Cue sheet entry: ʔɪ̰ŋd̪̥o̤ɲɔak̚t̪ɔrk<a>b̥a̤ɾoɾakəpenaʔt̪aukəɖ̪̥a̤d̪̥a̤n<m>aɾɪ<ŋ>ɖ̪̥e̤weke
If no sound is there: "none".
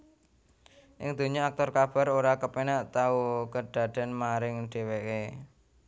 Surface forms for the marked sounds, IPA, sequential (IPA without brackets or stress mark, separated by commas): a, m, ŋ